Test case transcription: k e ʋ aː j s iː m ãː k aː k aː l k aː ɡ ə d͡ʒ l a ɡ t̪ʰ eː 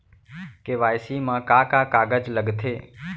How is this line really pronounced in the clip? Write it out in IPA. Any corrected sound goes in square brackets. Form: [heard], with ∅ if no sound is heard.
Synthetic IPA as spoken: k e ʋ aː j s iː m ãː k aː k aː [∅] k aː ɡ ə d͡ʒ l [ə] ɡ t̪ʰ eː